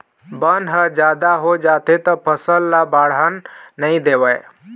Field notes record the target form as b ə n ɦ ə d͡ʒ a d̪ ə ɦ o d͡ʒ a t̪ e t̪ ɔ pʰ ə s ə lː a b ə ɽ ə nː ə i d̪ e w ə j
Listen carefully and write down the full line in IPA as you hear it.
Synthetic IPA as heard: b ə n ɦ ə d͡ʒ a d̪ a ɦ o d͡ʒ a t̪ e t̪ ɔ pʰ ə s ə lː a b a ɽ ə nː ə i d̪ e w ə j